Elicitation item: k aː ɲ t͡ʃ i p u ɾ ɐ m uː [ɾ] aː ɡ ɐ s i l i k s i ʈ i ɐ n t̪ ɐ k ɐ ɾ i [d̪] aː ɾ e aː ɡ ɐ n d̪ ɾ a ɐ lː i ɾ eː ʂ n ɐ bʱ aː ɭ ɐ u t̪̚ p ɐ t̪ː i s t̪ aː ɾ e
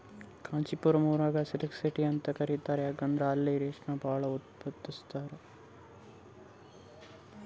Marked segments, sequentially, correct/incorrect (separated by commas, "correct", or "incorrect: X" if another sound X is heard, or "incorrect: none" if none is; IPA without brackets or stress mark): correct, incorrect: t̪